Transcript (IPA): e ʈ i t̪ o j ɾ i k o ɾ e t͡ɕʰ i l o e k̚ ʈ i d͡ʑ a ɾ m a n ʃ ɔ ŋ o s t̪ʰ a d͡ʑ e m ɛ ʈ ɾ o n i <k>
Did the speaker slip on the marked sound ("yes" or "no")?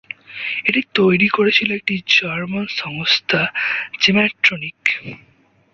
no